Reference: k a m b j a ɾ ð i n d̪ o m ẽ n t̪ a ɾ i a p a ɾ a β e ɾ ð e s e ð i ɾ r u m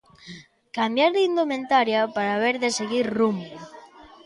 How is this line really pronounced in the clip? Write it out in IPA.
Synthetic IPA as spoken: k a m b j a ɾ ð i n d̪ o m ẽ n t̪ a ɾ j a p a ɾ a β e ɾ ð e s e ɣ i ɾ r u m